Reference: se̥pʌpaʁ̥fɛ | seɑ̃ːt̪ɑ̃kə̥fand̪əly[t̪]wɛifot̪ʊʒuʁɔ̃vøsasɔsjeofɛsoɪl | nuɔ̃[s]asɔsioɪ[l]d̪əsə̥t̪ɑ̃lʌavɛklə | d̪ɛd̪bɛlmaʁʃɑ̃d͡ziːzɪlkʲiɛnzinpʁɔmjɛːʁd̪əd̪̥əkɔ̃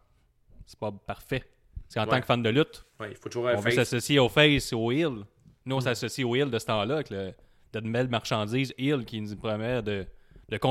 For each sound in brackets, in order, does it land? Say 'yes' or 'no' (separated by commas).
yes, yes, yes